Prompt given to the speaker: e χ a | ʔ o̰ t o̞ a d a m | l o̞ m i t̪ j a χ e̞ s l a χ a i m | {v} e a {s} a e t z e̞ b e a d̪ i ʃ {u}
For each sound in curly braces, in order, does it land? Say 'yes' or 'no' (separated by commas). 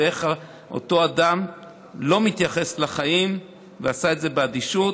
yes, yes, yes